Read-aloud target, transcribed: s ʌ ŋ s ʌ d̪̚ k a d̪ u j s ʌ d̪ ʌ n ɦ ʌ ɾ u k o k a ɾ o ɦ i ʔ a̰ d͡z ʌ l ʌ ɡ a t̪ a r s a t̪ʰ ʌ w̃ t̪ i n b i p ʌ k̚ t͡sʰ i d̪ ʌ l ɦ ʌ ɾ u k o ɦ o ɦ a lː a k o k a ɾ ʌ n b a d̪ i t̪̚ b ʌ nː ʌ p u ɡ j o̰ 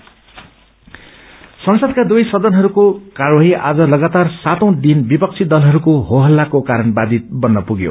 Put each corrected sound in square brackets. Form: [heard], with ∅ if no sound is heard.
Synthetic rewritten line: s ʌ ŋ s ʌ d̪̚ k a d̪ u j s ʌ d̪ ʌ n ɦ ʌ ɾ u k o k a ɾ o ɦ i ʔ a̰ d͡z ʌ l ʌ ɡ a t̪ a r s a [t̪] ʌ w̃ [d̪] i n b i p ʌ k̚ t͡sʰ i d̪ ʌ l ɦ ʌ ɾ u k o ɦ o ɦ [ʌ] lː a k o k a ɾ ʌ n b a d̪ i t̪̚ b ʌ nː ʌ p u ɡ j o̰